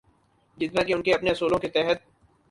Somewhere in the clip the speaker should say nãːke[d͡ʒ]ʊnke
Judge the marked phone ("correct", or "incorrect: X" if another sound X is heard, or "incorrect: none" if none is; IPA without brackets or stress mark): incorrect: none